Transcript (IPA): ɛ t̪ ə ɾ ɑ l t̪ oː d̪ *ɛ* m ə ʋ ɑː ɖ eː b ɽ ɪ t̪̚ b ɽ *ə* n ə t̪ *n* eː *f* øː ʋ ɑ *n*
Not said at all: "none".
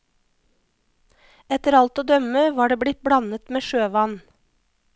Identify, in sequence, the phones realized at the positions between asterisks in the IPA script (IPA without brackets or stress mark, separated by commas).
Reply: œ, ɑ, m, ʃ, n